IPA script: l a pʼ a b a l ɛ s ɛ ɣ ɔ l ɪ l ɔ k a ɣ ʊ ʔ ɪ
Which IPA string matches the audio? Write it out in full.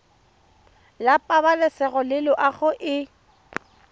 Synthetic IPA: l a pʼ a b a l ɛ s ɛ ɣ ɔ l ɪ l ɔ ʔ a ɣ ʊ ʔ ɪ